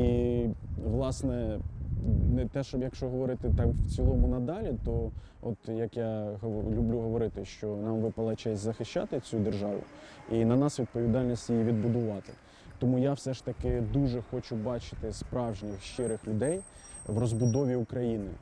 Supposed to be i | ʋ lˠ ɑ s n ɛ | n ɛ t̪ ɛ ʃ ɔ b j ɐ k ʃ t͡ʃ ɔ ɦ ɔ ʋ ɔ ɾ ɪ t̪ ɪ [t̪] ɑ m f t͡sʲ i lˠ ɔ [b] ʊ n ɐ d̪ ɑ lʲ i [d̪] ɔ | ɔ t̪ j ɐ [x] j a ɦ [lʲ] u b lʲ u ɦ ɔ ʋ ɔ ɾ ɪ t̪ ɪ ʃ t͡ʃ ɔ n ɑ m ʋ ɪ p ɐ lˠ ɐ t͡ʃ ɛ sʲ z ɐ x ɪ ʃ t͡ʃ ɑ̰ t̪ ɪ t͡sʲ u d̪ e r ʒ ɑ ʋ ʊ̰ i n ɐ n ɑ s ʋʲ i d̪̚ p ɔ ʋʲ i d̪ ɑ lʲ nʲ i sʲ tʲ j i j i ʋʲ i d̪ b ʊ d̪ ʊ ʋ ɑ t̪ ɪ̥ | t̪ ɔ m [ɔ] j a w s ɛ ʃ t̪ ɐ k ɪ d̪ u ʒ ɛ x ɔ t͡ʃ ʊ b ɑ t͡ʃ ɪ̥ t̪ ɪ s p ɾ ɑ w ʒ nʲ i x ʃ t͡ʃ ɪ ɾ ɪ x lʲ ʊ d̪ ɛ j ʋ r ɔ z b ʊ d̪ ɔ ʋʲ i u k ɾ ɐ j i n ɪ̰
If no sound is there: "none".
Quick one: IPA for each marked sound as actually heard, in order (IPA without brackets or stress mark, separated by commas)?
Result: t̪, m, t̪, k, lʲ, u